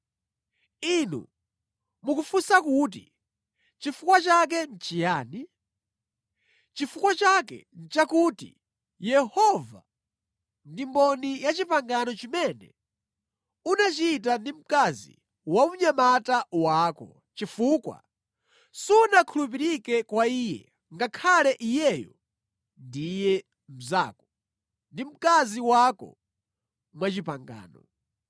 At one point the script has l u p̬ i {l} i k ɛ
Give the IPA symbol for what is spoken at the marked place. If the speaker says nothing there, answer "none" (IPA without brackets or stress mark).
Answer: ɾ